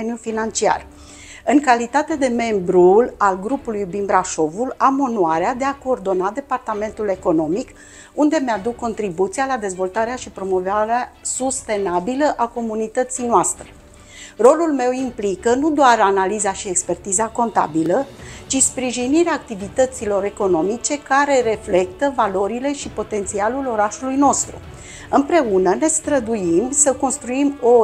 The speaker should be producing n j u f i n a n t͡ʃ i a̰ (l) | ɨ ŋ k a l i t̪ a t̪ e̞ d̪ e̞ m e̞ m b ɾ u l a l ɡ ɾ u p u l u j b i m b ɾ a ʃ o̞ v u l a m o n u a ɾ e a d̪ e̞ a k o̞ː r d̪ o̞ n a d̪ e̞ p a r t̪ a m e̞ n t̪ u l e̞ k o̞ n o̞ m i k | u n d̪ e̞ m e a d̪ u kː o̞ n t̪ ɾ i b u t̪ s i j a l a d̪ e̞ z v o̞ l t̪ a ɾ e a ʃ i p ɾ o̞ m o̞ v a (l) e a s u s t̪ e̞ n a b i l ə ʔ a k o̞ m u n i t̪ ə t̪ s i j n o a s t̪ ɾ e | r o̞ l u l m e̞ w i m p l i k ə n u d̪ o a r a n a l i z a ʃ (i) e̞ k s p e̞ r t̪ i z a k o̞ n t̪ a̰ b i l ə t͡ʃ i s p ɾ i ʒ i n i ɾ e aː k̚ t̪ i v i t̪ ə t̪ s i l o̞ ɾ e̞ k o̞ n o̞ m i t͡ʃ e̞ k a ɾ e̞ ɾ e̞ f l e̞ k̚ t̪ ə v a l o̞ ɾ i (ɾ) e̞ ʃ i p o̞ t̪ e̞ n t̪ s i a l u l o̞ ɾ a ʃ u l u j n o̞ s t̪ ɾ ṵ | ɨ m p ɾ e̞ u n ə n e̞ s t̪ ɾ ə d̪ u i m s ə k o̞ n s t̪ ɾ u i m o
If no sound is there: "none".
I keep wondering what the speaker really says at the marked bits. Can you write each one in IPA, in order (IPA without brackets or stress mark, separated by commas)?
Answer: r, ɾ, i, l